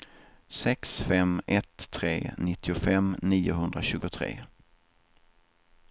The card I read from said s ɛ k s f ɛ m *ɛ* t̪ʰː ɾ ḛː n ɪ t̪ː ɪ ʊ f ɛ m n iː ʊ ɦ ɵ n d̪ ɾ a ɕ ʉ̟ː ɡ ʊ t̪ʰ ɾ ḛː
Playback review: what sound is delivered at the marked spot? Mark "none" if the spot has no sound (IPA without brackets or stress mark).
ɛ